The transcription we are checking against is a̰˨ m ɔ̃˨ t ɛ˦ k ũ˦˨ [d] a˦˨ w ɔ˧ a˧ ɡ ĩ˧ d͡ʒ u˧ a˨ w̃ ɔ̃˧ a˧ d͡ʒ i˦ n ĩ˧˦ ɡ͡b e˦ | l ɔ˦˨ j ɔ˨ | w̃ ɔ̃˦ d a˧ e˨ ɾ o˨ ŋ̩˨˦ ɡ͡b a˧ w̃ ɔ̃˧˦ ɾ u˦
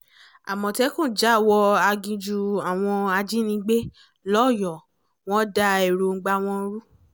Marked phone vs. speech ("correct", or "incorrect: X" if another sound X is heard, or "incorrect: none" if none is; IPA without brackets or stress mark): incorrect: d͡ʒ